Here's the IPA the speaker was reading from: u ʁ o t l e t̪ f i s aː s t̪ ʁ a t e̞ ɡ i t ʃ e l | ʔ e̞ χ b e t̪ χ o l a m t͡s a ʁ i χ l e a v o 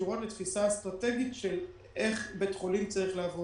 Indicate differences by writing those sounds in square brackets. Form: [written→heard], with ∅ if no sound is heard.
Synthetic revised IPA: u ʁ o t l e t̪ f i s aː s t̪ ʁ a t e̞ ɡ i t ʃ e l | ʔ e̞ χ b e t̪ χ o l [a→i] m t͡s a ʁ i χ l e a v o